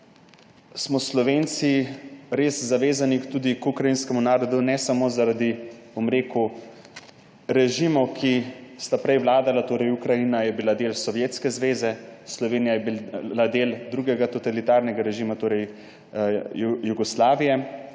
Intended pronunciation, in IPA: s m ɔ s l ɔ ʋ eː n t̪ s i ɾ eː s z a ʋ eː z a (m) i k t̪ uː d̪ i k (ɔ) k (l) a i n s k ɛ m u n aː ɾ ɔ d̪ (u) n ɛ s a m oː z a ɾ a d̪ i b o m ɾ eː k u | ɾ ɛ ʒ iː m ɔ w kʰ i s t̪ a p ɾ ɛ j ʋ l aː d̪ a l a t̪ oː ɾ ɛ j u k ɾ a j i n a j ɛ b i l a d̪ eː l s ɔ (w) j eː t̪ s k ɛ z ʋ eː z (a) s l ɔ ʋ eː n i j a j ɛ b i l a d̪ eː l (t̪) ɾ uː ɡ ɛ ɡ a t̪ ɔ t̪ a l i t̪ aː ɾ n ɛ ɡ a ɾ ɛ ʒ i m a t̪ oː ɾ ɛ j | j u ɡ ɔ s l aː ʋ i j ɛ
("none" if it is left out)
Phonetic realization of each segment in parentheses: n, u, ɾ, u, ʋ, ɛ, d̪

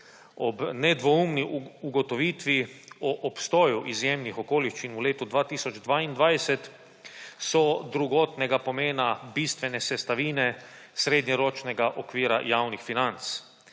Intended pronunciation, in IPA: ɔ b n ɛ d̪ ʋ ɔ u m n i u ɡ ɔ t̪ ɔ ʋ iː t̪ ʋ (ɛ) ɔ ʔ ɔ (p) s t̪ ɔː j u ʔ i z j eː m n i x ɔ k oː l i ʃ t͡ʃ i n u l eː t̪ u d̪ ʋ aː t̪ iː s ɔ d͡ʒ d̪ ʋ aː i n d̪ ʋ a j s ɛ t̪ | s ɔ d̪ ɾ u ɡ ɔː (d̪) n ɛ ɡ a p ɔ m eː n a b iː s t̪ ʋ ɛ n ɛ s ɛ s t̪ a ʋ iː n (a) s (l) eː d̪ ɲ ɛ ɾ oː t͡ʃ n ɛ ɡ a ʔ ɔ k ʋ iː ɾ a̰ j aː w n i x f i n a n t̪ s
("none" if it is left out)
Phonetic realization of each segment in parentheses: i, p, t̪, ɛ, ɾ

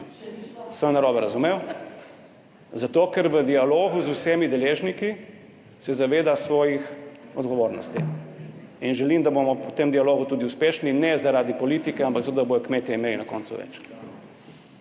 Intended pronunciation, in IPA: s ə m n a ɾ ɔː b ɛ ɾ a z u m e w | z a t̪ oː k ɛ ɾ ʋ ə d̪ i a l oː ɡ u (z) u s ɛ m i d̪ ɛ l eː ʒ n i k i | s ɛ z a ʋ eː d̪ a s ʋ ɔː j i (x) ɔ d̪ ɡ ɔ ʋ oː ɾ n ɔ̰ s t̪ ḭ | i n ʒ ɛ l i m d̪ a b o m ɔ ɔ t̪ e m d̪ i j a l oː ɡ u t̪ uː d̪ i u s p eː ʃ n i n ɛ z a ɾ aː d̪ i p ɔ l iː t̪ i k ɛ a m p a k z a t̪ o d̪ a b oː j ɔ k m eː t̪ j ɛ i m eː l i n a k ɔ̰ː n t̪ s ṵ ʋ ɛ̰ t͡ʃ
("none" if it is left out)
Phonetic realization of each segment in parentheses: z, x

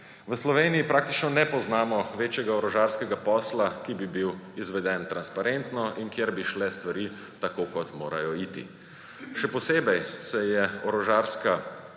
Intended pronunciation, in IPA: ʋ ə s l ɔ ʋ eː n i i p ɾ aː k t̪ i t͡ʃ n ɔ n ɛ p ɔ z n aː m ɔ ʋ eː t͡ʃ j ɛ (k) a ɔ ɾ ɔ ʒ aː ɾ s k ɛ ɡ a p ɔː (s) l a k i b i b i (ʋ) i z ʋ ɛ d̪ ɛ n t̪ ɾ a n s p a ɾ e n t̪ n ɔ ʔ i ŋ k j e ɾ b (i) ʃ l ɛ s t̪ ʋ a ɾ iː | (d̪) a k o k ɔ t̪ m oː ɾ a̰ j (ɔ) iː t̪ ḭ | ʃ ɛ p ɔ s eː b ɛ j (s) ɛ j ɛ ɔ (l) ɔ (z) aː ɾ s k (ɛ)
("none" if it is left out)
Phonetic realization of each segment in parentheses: ɡ, s, w, i, t̪, ɔ, s, ɾ, ʒ, a

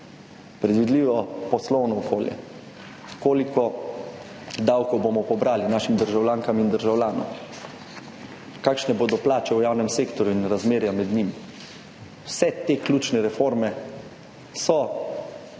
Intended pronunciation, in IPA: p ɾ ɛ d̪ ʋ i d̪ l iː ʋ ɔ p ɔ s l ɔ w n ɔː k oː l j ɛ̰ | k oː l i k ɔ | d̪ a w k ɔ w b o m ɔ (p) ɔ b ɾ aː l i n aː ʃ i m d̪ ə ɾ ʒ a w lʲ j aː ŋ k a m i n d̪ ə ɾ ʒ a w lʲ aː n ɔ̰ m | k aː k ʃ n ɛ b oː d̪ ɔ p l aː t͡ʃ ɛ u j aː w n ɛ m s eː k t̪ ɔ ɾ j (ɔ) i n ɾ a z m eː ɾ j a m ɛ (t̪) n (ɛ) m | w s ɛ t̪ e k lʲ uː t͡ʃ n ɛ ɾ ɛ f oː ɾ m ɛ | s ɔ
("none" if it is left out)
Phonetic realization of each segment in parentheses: p, u, d̪, i

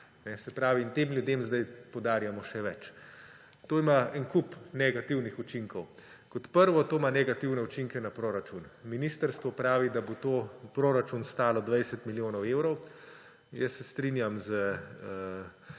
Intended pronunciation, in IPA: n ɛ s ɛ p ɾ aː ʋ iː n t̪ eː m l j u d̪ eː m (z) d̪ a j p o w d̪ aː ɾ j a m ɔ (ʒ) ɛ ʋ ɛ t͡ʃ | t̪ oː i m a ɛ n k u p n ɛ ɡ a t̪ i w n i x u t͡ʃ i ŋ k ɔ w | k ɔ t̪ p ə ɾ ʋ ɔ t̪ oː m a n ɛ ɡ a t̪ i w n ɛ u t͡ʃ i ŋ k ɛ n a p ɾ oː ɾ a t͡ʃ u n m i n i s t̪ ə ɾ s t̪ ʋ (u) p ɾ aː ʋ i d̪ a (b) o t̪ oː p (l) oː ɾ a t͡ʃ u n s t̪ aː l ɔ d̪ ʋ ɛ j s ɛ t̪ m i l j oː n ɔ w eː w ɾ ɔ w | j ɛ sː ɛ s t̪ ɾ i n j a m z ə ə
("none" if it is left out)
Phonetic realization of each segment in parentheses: z, ʃ, ɔ, b, ɾ

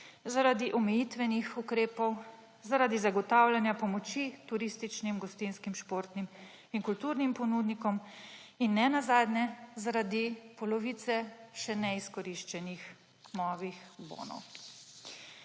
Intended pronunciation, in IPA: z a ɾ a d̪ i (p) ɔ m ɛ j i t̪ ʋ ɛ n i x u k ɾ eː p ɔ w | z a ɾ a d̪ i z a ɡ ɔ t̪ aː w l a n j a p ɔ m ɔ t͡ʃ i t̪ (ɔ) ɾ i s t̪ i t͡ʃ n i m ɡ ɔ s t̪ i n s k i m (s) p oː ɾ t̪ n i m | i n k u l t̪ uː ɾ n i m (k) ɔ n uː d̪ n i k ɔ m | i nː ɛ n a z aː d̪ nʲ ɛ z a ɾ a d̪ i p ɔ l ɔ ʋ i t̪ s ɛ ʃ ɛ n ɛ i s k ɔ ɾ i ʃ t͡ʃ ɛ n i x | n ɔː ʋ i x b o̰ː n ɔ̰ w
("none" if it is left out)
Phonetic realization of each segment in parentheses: ʔ, u, ʃ, p

